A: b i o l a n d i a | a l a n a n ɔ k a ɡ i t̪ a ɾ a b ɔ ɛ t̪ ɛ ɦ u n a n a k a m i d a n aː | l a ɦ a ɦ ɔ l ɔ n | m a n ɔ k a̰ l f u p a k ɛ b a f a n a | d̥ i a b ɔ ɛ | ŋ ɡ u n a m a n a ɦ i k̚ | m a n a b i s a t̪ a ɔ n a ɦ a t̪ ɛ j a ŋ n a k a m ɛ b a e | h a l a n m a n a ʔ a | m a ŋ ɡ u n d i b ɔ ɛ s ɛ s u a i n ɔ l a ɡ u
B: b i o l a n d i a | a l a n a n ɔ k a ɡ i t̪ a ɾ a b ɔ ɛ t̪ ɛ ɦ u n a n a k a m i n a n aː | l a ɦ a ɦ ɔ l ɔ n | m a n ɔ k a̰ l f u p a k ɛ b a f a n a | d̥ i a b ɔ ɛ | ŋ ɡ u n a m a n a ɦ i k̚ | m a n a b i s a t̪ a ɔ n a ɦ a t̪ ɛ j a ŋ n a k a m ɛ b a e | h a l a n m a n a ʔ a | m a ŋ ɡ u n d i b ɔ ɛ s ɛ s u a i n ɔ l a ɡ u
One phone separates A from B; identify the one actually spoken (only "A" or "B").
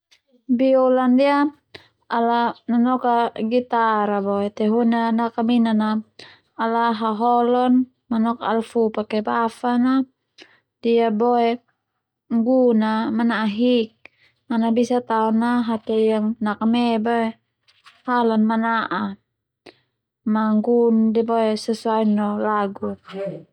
B